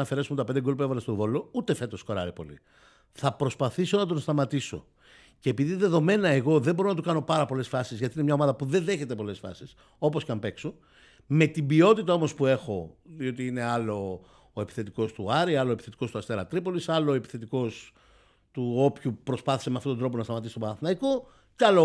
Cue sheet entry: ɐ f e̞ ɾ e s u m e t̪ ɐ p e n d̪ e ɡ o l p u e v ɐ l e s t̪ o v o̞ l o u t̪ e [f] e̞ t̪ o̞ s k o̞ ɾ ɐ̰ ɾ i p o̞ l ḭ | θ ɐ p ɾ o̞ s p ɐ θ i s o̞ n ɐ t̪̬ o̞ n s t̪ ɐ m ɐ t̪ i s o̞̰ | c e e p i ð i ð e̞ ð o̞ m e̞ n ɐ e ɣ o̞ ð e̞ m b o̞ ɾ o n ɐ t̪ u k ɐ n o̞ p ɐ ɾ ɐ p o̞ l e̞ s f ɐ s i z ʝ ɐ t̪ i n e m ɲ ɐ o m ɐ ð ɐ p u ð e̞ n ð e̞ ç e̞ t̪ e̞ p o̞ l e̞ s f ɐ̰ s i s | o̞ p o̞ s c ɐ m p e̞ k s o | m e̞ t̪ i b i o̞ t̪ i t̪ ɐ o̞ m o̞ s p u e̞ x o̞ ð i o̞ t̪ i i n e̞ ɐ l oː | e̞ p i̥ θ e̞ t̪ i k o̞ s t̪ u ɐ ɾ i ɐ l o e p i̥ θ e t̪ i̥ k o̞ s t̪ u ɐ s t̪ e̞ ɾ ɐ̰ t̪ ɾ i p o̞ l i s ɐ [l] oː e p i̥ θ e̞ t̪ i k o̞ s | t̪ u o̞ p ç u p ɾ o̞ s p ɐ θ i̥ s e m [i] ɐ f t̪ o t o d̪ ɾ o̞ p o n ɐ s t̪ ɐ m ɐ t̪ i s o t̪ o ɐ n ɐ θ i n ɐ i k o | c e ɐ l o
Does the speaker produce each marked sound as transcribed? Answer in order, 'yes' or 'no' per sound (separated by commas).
yes, yes, no